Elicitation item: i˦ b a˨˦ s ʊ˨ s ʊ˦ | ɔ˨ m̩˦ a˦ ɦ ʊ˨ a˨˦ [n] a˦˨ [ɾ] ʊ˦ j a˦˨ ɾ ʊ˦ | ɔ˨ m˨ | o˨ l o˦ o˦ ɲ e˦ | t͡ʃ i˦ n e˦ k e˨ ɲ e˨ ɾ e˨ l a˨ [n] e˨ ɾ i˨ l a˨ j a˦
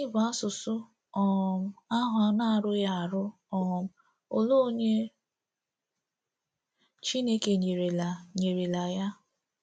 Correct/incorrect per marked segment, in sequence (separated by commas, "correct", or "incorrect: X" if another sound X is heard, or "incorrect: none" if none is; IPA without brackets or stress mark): correct, correct, incorrect: ɲ